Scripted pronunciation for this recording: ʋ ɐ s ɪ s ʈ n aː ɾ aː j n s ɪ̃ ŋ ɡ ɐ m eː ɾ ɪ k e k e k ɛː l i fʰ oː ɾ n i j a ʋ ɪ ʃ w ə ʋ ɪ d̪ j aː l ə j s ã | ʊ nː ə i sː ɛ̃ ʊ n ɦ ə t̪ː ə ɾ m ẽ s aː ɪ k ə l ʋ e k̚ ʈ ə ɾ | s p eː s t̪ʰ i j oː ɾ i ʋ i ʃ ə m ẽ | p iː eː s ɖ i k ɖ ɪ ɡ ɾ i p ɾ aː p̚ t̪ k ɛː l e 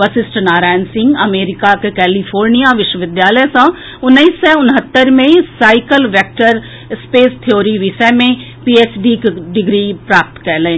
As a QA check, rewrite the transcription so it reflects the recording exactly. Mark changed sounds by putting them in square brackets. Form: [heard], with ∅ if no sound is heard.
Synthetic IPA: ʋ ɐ s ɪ s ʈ n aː ɾ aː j n s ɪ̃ ŋ ɡ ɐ m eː ɾ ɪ k [a] k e k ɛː l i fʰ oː ɾ n i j a ʋ ɪ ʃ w ə ʋ ɪ d̪ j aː l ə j s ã | ʊ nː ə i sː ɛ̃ ʊ n ɦ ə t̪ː ə ɾ m ẽ s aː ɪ k ə l ʋ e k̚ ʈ ə ɾ | s p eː s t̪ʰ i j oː ɾ i ʋ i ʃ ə m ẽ | p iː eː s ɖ i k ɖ ɪ ɡ ɾ i p ɾ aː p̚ t̪ k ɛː l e